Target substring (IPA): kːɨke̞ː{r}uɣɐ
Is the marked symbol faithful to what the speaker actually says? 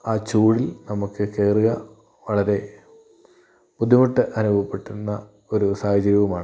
yes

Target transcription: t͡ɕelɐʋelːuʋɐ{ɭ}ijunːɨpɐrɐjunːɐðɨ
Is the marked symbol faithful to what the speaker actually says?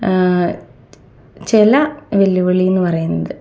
yes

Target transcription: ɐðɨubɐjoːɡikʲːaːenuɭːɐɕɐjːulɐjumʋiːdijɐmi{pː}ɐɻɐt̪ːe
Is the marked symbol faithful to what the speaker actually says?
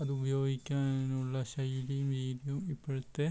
yes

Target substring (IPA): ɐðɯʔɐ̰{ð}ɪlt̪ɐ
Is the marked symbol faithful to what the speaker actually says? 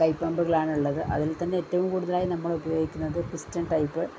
yes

